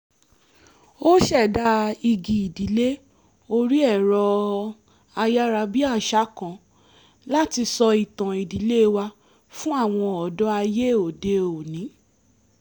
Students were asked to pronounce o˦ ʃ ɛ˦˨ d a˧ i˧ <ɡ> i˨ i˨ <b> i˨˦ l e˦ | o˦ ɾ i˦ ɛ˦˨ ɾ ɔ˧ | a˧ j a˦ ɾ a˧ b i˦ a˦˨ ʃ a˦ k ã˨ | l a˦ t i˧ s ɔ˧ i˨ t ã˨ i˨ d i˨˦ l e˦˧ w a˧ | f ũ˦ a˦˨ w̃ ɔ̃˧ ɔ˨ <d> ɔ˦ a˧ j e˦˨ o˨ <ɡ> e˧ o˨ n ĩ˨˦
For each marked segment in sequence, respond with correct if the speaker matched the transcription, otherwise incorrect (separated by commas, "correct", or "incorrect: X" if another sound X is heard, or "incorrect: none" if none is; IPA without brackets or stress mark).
correct, incorrect: d, correct, incorrect: d